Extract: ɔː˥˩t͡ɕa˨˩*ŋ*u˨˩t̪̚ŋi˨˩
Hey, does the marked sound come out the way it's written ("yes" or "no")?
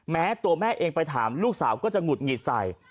yes